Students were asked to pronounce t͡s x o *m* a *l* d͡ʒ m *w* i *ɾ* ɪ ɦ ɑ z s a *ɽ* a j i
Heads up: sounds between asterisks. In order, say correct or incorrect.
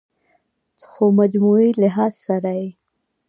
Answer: correct, incorrect, incorrect, incorrect, incorrect

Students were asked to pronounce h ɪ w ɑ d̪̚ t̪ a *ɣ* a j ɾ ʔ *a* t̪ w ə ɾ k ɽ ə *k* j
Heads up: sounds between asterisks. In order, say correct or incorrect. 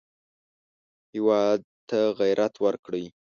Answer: correct, correct, incorrect

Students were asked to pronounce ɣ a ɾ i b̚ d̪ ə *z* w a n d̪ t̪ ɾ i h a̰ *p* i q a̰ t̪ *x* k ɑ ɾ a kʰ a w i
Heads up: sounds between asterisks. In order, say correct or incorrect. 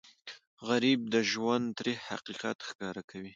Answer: incorrect, incorrect, correct

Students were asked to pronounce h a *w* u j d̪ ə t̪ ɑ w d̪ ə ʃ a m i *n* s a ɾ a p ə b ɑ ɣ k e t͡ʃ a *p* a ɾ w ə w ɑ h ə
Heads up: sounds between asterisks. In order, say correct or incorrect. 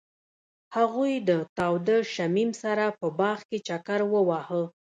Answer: incorrect, incorrect, incorrect

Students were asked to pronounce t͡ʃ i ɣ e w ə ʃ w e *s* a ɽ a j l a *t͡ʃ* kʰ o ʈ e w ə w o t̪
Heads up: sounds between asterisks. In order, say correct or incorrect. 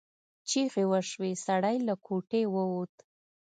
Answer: correct, incorrect

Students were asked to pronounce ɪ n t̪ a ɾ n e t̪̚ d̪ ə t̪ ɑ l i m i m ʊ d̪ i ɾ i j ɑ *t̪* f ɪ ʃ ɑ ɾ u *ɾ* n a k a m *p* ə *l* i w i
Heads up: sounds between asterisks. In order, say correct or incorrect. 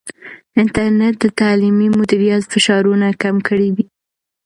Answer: correct, incorrect, incorrect, incorrect

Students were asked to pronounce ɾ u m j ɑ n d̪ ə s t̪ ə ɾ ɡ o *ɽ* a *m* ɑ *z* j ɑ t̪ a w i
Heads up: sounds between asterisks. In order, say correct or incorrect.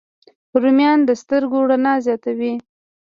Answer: correct, incorrect, correct

